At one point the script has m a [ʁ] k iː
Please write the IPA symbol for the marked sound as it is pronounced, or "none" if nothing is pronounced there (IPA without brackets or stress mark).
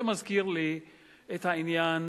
z